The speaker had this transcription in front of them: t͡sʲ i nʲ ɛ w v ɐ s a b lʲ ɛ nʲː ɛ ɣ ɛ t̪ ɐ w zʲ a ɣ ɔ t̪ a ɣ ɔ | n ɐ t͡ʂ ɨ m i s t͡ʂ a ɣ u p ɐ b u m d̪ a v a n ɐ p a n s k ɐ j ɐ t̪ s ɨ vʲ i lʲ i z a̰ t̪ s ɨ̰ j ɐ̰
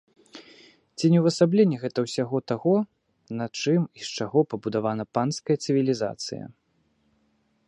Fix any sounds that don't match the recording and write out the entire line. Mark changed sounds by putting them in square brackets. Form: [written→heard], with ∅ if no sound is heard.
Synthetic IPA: t͡sʲ i nʲ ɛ w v ɐ s a b lʲ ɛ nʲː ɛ ɣ ɛ t̪ ɐ w [zʲ→sʲ] a ɣ ɔ t̪ a ɣ ɔ | n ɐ t͡ʂ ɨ m i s t͡ʂ a ɣ [u→ɔ] p ɐ b u [m→∅] d̪ a v a n ɐ p a n s k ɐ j ɐ t̪ s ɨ vʲ i lʲ i z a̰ t̪ s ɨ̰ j ɐ̰